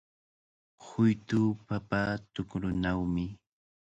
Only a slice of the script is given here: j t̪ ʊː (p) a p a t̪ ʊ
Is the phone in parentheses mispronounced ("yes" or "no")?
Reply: no